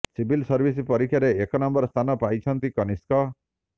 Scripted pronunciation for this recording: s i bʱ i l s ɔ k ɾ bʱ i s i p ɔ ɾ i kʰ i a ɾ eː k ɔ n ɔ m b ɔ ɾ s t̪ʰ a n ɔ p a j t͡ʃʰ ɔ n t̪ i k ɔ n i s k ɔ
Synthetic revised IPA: s i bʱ i l s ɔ ɾ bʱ i s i p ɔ ɾ i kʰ j a ɾ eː k ɔ n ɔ m b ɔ ɾ s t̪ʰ a n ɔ p a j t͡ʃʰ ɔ n t̪ i k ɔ n i s k ɔ